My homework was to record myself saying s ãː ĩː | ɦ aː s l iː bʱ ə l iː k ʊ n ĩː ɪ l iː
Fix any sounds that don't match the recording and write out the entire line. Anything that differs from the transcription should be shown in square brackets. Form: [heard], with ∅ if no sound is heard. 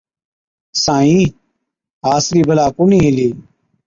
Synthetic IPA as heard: s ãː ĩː | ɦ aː s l iː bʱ ə l [aː] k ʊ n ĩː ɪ l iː

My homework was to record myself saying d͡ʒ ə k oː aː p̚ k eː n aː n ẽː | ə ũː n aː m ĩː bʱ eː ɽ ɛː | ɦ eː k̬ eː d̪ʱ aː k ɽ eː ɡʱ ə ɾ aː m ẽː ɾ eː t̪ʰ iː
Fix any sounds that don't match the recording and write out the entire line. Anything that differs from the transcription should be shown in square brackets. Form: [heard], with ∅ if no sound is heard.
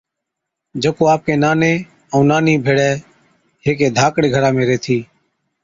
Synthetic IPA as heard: d͡ʒ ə k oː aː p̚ k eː n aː n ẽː | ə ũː n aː [n] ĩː bʱ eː ɽ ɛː | ɦ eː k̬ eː d̪ʱ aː k ɽ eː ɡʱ ə ɾ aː m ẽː ɾ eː t̪ʰ iː

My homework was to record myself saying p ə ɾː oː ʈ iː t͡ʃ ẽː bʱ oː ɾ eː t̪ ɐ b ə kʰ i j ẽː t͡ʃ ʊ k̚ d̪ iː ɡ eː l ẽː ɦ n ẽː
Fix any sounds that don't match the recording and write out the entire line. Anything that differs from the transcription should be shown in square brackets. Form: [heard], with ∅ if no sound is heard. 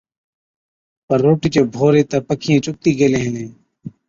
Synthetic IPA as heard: p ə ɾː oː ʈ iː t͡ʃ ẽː bʱ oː ɾ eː t̪ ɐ [p] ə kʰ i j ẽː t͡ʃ ʊ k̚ [t̪] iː ɡ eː l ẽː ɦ n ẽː

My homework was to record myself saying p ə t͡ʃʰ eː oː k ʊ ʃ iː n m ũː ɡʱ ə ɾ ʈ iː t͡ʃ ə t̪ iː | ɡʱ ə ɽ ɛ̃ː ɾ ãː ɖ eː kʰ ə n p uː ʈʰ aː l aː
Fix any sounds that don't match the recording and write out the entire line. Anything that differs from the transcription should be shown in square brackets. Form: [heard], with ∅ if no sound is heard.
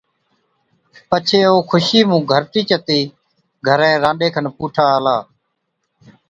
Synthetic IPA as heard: p ə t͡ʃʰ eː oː [kʰ] ʊ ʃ iː [∅] m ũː ɡʱ ə ɾ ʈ iː t͡ʃ ə t̪ iː | ɡʱ ə [ɾ] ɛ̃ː ɾ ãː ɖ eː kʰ ə n p uː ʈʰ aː l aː

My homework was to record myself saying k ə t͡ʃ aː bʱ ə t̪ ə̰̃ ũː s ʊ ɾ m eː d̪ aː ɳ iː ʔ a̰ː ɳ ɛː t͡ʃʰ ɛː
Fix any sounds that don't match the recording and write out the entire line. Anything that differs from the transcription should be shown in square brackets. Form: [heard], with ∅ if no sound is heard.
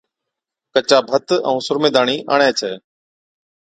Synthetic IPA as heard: k ə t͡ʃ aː bʱ ə t̪ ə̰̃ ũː s ʊ ɾ m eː d̪ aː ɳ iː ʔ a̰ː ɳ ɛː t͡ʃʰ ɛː

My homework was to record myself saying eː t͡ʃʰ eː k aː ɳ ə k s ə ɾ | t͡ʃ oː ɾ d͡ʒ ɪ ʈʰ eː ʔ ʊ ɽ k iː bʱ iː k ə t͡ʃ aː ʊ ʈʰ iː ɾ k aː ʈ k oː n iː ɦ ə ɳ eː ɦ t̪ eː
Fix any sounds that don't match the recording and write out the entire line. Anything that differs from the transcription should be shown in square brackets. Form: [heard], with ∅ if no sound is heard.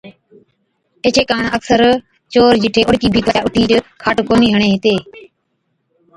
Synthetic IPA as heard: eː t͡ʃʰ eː k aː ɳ ə k s ə ɾ | t͡ʃ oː ɾ d͡ʒ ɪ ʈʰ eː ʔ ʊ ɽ k iː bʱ iː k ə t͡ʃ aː ʊ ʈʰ iː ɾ [kʰ] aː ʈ k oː n iː ɦ ə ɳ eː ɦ t̪ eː

